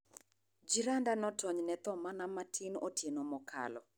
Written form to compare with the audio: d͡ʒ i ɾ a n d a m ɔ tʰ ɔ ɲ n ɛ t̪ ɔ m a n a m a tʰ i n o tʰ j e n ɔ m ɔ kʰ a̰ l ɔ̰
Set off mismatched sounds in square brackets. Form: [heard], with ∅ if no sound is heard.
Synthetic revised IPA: d͡ʒ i ɾ a n d a [n] ɔ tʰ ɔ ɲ n ɛ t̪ ɔ m a n a m a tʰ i n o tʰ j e n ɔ m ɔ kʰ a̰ l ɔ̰